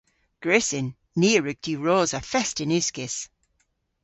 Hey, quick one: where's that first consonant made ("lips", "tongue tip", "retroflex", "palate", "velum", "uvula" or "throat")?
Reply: velum